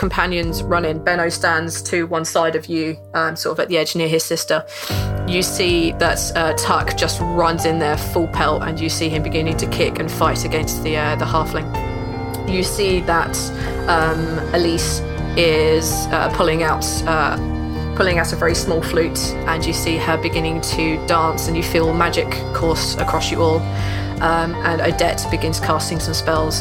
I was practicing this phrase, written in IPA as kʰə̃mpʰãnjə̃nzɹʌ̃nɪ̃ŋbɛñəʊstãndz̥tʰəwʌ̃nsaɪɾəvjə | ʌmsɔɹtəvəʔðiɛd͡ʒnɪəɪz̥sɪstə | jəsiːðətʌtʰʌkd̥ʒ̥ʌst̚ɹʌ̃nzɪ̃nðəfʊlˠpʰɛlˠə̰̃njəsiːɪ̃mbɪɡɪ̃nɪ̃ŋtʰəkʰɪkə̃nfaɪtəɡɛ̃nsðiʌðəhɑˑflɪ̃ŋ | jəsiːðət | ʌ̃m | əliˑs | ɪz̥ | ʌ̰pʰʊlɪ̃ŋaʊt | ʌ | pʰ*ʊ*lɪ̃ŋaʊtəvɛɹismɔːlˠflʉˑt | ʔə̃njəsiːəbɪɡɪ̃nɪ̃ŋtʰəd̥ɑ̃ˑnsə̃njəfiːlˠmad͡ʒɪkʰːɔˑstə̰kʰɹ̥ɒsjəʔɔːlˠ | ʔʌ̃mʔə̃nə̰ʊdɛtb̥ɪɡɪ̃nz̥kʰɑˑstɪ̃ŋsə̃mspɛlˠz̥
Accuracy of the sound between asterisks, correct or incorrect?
correct